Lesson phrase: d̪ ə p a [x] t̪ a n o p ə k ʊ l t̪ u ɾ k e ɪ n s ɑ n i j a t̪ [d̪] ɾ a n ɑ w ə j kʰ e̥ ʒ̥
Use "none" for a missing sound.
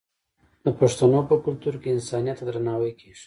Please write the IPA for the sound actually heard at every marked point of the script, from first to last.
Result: ʂ, d̪

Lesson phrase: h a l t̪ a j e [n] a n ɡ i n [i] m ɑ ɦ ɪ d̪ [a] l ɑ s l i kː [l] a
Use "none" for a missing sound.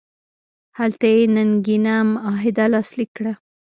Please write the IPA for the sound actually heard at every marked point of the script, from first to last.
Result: n, a, a, ɽ

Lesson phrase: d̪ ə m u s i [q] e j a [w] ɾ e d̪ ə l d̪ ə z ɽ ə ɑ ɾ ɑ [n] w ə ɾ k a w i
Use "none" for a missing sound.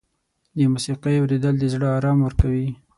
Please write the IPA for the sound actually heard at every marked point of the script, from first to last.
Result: q, w, m

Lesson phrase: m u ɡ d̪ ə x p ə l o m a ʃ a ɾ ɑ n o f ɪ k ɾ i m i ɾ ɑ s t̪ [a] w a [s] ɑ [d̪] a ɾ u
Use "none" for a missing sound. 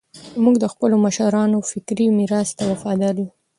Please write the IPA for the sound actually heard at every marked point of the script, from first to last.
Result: a, f, d̪

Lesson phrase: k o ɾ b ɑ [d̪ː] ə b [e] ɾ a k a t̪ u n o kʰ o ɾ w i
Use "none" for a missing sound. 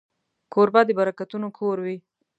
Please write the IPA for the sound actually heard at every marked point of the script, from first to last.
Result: d̪, a

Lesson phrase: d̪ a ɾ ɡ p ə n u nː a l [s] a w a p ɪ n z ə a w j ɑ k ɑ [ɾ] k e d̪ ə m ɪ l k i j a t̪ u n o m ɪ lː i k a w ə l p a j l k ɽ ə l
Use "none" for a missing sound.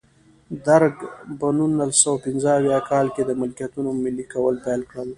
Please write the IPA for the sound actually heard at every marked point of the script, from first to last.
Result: s, l

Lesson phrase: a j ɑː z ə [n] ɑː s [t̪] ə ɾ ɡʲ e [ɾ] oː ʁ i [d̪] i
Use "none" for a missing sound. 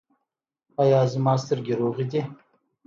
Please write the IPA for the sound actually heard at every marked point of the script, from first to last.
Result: m, t̪, ɾ, d̪

